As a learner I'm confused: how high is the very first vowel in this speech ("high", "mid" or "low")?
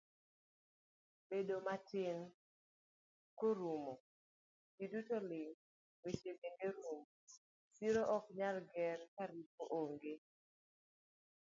mid